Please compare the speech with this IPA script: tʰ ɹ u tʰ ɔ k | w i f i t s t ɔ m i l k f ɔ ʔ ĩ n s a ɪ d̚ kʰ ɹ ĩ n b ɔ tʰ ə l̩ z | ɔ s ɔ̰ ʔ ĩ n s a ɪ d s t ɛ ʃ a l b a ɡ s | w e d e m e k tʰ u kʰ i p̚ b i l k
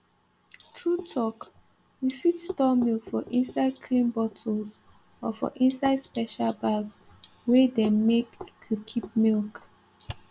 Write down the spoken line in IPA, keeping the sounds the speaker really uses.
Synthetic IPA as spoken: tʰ ɹ u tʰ ɔ k | w i f i t s t ɔ m i l k f ɔ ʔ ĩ n s a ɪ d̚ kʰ l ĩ n b ɔ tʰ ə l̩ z | ɔ f ɔ̰ ʔ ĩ n s a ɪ d s p ɛ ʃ a l b a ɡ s | w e d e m e k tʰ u kʰ i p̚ m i l k

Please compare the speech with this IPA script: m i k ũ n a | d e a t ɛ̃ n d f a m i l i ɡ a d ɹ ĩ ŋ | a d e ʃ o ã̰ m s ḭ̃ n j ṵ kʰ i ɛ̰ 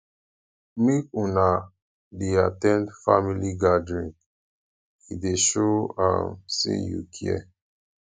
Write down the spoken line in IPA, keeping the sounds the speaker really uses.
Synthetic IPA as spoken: m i k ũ n a | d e a t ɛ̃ n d f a m i l i ɡ a d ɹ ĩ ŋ | i d e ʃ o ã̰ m s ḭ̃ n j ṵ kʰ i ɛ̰

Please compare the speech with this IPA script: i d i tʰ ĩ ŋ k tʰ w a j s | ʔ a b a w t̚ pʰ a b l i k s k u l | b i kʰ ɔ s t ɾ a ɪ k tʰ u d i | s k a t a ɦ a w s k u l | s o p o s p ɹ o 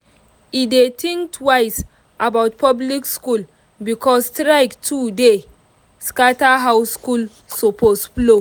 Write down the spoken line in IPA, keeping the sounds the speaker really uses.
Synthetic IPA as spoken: i d e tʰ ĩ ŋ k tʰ w a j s | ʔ a b a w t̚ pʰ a b l i k s k u l | b i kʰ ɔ s t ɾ a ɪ k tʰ u d e | s k a t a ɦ a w s k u l | s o p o s p l o

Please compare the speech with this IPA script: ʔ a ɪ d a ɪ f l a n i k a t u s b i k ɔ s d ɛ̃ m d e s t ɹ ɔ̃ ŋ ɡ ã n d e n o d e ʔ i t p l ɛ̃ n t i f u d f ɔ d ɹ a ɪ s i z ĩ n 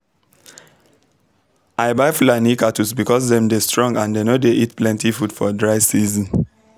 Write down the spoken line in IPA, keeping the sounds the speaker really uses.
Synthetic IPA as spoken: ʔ a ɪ b a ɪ f l a n i k a t u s b i k ɔ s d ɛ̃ m d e s t ɹ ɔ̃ ŋ ɡ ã n d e n o d e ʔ i t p l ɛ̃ n t i f u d f ɔ d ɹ a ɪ s i z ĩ n

